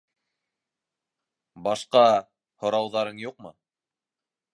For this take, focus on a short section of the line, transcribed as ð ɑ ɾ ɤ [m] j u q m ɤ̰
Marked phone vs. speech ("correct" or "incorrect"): incorrect